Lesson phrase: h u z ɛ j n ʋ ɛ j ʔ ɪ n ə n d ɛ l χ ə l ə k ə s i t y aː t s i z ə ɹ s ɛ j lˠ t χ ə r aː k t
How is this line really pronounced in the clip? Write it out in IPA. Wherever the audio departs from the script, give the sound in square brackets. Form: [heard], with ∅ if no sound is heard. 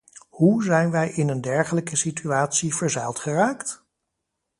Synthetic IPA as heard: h u z ɛ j n ʋ ɛ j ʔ ɪ n ə n d ɛ [ɹ] χ ə l ə k ə s i t y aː t s i [v] ə ɹ [z] ɛ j lˠ t χ ə r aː k t